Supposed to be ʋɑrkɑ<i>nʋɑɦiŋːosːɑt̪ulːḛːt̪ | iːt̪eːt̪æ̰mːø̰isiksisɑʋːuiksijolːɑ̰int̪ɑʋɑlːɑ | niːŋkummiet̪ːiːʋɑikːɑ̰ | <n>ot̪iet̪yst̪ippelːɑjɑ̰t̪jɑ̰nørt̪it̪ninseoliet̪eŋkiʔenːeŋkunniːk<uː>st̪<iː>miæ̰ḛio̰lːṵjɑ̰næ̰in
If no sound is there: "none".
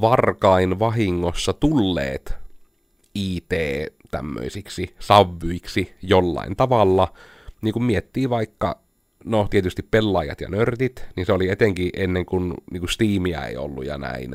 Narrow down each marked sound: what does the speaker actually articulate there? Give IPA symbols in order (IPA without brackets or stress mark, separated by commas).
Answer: i, n, u, iː